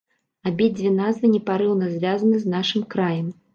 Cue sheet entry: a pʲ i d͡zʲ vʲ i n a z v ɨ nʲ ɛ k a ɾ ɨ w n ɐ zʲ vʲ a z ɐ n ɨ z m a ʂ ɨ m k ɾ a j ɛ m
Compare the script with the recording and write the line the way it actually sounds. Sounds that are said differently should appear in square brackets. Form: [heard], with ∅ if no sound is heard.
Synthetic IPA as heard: a [bʲ] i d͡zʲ vʲ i n a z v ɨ nʲ ɛ [p] a ɾ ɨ w n ɐ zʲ vʲ a z ɐ n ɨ z [n] a ʂ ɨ m k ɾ a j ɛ m